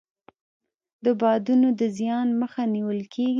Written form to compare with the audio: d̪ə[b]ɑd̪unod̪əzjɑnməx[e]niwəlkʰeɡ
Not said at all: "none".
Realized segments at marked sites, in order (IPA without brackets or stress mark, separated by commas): b, a